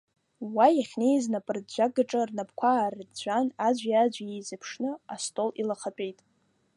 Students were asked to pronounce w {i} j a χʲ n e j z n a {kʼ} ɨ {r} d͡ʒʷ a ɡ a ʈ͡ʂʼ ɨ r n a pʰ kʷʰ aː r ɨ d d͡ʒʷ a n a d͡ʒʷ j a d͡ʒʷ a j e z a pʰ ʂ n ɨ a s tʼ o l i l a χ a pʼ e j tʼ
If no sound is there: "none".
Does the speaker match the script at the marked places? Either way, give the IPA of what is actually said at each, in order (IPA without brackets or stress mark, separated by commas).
a, pʼ, r